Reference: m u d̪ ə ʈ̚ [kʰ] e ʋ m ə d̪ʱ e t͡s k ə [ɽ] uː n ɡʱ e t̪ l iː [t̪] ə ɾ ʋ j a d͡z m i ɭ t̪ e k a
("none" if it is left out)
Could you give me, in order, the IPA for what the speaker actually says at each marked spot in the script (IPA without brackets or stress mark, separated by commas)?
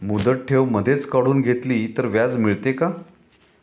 ʈʰ, ɽ, t̪